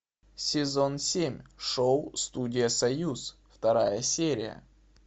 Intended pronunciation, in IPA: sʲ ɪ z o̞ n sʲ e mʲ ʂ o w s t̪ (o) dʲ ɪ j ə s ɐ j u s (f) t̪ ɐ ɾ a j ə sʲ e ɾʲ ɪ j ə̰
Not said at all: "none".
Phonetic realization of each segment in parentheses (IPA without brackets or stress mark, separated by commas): u, f